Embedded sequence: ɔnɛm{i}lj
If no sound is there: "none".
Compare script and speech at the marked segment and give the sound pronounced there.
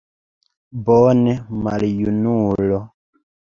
a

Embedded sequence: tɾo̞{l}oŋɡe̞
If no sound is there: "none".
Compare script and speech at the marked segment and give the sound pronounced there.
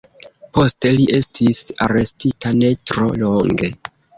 l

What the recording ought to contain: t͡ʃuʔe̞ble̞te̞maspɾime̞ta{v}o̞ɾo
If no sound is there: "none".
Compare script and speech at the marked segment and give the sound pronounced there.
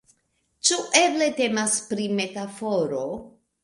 f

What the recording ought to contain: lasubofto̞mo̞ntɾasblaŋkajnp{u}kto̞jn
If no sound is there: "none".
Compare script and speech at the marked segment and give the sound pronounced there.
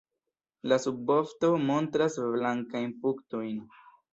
u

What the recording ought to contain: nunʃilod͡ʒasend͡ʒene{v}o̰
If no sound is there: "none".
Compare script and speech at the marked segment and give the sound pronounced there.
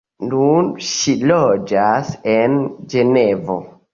v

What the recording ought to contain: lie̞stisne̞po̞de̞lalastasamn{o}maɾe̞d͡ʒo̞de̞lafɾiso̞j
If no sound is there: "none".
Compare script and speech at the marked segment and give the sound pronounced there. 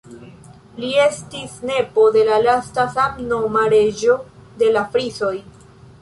o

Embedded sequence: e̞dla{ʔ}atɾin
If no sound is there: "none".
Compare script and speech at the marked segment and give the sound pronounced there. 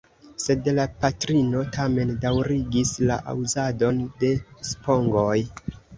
p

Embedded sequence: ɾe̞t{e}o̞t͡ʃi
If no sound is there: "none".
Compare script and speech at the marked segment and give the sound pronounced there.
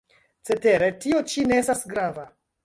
i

